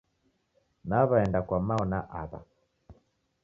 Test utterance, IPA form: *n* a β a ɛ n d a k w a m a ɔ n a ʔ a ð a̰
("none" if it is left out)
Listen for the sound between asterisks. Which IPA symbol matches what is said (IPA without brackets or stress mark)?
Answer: n